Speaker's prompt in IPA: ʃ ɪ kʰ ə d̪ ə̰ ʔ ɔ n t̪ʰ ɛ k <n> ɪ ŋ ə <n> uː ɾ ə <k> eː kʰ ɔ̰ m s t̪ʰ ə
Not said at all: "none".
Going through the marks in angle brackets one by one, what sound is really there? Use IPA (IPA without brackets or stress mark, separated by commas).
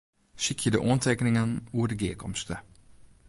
n, n, ɡ